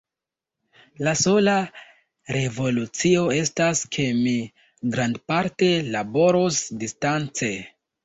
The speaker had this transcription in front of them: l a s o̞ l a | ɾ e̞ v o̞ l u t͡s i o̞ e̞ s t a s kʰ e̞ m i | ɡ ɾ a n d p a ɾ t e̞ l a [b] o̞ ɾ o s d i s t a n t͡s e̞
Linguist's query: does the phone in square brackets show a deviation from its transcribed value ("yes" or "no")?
no